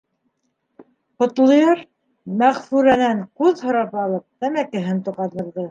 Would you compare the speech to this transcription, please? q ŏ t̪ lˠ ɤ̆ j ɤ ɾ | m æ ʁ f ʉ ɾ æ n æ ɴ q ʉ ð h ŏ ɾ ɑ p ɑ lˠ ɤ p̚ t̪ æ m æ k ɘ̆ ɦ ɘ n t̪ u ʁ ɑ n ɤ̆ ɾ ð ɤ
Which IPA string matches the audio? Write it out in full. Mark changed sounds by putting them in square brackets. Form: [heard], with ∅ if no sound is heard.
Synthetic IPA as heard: q ŏ t̪ lˠ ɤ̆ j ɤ ɾ | m æ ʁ f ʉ ɾ æ n æ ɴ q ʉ ð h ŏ ɾ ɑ p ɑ lˠ ɤ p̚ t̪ æ m æ k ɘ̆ ɦ ɘ n t̪ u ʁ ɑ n ɤ̆ ɾ ð ɤ